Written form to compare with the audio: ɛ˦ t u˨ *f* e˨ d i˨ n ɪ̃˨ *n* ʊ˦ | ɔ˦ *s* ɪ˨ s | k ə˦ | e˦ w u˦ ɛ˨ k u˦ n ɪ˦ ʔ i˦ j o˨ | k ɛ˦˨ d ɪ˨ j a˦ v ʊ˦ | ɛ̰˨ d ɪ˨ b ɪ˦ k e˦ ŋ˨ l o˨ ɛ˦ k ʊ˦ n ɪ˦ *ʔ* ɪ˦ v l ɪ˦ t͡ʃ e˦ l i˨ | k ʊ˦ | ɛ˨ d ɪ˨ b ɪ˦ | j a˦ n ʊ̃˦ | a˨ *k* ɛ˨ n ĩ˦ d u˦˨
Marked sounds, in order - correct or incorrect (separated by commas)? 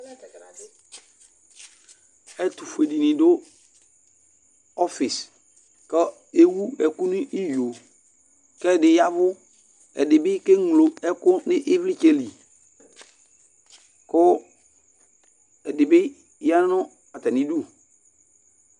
correct, incorrect, incorrect, correct, incorrect